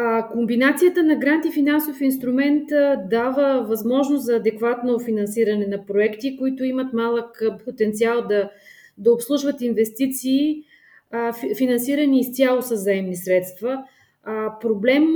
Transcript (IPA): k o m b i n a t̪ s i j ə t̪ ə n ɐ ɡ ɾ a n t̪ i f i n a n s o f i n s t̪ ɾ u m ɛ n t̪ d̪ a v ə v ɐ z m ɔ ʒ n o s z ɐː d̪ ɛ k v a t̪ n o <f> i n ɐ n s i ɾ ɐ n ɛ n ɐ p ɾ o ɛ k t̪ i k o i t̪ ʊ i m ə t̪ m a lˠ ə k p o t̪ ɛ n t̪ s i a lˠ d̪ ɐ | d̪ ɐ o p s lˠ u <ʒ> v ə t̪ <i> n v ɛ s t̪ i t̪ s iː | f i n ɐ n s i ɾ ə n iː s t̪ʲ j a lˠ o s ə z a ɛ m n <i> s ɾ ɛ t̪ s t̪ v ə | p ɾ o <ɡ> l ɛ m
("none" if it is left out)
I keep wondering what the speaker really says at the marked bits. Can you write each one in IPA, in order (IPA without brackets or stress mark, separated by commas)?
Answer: f, ʒ, i, i, b